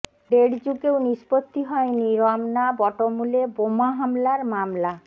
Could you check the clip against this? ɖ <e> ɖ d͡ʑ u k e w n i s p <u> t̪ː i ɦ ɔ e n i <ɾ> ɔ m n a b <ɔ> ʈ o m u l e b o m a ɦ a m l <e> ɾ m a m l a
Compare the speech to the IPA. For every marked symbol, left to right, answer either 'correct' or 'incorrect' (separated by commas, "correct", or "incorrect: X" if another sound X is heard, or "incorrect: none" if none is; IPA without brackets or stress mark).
correct, incorrect: o, correct, correct, incorrect: a